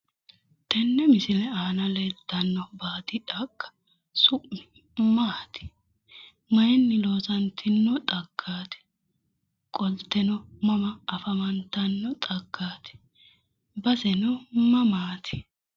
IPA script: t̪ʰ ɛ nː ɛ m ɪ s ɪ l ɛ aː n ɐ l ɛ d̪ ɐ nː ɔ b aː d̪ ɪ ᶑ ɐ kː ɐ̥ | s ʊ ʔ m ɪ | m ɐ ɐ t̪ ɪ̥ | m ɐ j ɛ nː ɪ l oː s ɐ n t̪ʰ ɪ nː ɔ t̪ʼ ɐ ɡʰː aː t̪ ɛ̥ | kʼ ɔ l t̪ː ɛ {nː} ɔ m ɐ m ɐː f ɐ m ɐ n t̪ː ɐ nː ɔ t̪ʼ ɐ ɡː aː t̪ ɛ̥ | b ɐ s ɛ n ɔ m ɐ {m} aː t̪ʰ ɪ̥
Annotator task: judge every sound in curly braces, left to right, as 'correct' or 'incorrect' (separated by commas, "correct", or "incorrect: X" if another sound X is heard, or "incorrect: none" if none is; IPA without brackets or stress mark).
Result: incorrect: n, correct